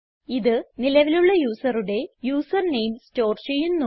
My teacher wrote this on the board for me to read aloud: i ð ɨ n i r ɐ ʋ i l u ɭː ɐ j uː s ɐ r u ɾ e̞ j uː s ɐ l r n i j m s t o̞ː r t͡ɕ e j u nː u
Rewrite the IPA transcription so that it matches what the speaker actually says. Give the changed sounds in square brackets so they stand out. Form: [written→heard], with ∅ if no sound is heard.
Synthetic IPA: i ð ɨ n i [r→l] ɐ ʋ i l u ɭː ɐ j uː s ɐ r u [ɾ→ɽ] e̞ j uː s ɐ [l→∅] r n [i→e] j m s t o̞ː r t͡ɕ e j u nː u